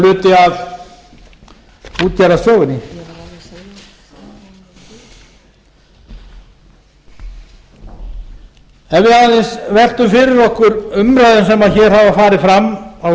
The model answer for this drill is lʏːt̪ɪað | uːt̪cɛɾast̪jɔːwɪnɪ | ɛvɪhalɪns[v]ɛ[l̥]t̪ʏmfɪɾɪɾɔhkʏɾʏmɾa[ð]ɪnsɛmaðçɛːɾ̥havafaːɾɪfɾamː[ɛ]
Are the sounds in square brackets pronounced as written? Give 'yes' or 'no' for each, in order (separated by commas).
yes, no, yes, no